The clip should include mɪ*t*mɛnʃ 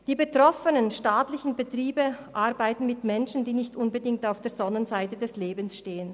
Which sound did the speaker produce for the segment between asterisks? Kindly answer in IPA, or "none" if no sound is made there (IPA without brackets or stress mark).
t